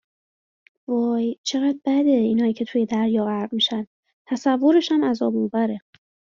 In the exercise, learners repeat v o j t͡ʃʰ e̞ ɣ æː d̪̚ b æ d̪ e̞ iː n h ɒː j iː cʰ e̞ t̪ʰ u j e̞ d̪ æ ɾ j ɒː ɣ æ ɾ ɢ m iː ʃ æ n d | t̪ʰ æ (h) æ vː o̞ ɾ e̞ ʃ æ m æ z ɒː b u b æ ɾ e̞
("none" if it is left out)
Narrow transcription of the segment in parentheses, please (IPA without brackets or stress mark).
s